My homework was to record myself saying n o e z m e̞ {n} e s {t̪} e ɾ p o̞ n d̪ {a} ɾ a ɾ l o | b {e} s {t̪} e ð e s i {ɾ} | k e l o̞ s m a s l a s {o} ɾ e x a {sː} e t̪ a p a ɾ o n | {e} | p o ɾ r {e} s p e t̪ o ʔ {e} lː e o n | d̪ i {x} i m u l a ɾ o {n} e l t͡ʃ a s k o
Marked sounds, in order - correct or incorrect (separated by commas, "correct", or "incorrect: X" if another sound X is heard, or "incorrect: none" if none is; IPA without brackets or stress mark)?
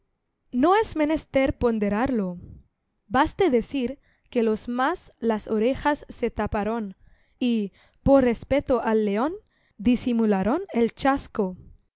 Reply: correct, correct, incorrect: e, incorrect: a, correct, correct, correct, correct, incorrect: i, correct, incorrect: a, incorrect: s, correct